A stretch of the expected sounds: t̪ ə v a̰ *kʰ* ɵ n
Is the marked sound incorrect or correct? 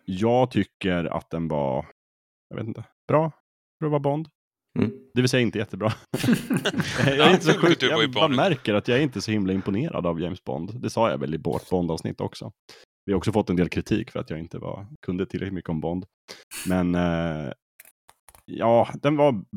correct